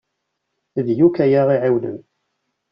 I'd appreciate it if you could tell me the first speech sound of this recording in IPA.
ð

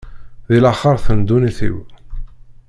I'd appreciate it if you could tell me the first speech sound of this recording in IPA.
ð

